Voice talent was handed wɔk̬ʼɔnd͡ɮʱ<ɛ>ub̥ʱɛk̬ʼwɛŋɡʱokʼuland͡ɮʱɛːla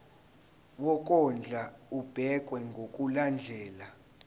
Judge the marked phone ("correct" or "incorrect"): incorrect